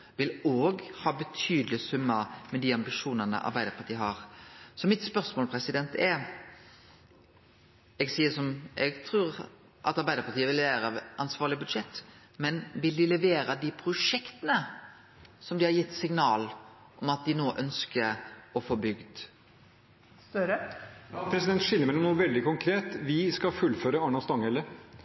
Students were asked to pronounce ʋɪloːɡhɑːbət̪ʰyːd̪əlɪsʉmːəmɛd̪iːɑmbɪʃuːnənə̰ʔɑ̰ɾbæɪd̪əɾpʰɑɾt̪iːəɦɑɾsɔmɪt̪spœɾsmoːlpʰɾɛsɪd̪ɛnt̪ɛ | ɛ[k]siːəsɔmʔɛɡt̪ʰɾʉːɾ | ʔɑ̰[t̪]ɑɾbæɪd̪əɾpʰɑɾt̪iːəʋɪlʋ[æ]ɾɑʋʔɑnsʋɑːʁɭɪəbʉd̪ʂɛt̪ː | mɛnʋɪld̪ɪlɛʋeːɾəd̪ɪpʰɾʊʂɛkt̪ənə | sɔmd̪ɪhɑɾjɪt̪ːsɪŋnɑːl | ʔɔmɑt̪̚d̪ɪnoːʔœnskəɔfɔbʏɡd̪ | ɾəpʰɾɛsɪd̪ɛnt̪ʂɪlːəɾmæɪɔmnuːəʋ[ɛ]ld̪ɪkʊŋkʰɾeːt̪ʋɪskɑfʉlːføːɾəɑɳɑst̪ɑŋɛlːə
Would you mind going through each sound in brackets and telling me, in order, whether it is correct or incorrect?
incorrect, correct, incorrect, correct

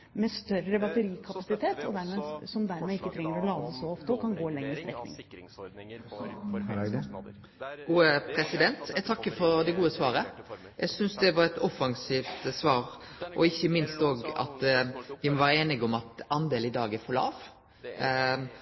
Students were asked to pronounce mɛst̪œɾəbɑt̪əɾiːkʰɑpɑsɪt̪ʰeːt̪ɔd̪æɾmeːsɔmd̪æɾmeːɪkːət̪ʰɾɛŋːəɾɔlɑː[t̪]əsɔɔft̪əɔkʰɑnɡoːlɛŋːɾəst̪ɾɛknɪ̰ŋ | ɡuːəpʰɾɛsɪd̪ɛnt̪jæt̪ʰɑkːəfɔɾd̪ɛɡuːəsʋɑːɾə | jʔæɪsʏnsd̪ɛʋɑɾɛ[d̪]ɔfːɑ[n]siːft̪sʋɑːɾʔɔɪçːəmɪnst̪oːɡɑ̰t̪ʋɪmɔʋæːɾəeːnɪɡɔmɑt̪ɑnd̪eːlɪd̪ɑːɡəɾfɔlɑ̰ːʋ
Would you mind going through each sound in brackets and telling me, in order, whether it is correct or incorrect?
incorrect, incorrect, incorrect

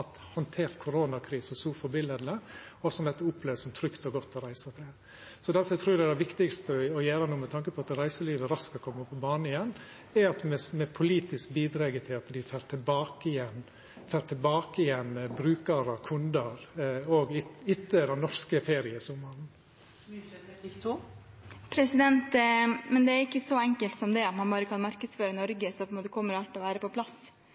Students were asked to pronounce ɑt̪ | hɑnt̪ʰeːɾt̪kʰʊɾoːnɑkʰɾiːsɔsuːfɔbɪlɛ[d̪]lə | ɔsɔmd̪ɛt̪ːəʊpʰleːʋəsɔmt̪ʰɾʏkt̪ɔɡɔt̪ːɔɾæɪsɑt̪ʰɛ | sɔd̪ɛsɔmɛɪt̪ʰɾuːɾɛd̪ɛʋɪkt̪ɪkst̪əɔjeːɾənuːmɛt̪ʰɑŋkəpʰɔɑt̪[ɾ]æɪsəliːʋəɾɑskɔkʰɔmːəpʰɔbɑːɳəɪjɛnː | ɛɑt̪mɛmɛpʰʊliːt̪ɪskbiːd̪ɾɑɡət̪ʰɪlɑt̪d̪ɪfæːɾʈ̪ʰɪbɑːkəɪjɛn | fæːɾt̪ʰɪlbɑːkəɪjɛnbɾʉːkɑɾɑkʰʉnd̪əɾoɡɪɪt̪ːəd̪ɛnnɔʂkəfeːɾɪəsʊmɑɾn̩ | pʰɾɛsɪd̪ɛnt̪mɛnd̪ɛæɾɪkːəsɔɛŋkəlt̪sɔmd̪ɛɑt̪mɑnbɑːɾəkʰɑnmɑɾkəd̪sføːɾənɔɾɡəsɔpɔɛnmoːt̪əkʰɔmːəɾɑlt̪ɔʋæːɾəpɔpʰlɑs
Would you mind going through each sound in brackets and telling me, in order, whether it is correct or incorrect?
correct, correct

